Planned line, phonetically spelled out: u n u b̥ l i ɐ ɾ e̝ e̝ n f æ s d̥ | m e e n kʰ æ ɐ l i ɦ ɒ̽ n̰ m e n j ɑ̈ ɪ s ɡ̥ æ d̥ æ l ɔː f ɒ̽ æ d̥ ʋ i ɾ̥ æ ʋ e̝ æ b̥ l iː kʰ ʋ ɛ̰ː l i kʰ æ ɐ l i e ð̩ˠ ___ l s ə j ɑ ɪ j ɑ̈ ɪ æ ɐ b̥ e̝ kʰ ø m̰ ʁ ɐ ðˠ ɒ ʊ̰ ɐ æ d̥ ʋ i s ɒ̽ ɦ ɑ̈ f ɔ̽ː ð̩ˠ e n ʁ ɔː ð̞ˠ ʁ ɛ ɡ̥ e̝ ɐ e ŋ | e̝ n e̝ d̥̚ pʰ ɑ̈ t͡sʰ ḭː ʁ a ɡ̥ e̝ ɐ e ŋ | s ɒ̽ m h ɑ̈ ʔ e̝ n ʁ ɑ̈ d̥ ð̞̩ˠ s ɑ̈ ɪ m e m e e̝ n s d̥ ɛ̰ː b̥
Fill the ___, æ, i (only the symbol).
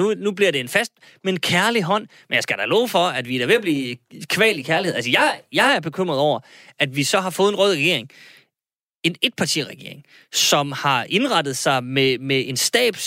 æ